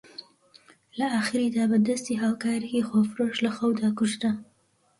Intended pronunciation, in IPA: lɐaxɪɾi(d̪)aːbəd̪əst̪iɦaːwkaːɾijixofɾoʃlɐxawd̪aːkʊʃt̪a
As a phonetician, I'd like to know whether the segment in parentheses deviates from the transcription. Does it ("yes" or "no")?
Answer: no